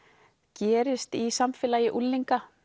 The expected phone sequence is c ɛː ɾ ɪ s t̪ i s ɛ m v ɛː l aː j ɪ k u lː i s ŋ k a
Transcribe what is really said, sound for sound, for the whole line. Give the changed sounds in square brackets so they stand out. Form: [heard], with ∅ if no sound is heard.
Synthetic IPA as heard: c ɛː ɾ ɪ s t̪ i s [a] m [f] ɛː l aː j ɪ [ʔ] u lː i [∅] ŋ k a

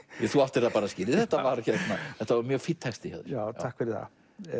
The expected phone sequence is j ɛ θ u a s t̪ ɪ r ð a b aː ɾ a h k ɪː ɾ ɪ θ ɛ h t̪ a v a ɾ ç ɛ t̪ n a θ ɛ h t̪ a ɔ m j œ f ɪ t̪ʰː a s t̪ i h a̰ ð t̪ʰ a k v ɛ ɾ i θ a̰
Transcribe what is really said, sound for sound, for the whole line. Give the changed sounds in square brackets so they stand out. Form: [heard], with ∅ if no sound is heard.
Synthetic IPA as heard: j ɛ θ u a [f] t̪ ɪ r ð a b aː ɾ a [s] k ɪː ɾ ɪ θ ɛ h t̪ a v a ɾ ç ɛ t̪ n a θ ɛ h t̪ a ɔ m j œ f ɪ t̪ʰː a s t̪ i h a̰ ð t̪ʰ a k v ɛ ɾ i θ a̰

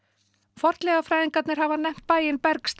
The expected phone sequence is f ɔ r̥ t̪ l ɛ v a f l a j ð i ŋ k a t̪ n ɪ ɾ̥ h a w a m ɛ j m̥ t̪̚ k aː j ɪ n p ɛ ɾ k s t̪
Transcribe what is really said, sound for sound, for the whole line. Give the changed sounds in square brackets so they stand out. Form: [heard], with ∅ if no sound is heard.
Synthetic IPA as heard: f ɔ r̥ t̪ l ɛ [ɣ] a f [ɾ] a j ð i ŋ k a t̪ n ɪ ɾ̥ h a [v] a [n] ɛ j m̥ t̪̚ [p] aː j ɪ n p ɛ ɾ k s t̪

